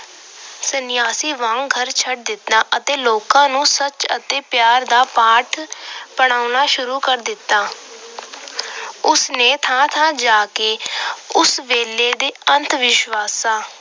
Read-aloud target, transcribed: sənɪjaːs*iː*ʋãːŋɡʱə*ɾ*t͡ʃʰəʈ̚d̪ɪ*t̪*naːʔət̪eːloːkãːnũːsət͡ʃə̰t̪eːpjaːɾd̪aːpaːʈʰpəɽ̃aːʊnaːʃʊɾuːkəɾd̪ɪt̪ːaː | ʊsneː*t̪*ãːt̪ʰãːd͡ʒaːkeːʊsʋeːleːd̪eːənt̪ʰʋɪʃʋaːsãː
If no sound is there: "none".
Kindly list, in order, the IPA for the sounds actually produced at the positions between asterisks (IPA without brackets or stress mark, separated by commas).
iː, ɾ, t̪, t̪ʰ